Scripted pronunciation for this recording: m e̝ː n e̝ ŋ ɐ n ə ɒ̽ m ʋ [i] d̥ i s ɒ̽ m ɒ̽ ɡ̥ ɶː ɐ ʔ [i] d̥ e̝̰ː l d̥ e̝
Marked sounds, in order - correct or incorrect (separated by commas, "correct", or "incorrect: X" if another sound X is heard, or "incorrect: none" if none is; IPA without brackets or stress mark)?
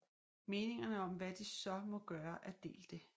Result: incorrect: æ, incorrect: æ